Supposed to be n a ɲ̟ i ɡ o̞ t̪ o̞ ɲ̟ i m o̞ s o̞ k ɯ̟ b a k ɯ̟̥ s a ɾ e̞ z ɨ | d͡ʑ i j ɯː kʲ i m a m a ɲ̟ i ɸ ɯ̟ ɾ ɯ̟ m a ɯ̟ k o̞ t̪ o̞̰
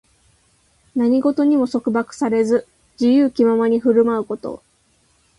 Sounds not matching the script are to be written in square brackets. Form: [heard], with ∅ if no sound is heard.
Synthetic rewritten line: n a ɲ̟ i ɡ o̞ t̪ o̞ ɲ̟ i m o̞ s o̞ k ɯ̟ b a k ɯ̟̥ s a ɾ e̞ z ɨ | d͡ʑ i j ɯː kʲ i m a m a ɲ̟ i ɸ ɯ̟ ɾ ɯ̟ m a ɯ̟ k o̞ t̪ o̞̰